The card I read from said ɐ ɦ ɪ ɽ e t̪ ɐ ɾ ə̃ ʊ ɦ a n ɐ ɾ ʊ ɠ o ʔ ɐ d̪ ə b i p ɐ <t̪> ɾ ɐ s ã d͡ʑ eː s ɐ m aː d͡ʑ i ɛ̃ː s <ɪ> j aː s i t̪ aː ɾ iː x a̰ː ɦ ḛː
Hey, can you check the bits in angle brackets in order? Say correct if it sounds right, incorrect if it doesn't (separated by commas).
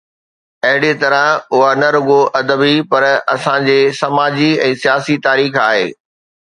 incorrect, incorrect